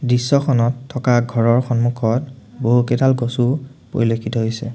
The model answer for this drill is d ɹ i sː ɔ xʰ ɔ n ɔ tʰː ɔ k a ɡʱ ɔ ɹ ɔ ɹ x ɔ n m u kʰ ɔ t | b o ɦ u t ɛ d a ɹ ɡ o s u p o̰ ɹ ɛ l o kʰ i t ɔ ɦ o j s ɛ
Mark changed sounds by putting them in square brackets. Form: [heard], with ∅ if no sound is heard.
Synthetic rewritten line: d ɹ i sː ɔ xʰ ɔ n ɔ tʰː ɔ k a ɡʱ ɔ ɹ ɔ ɹ x ɔ n m u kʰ ɔ t | b o ɦ u [k] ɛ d a [l] ɡ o s u p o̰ ɹ [i] l o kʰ i t ɔ ɦ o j s ɛ